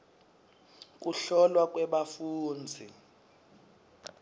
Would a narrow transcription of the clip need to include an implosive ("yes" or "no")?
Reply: yes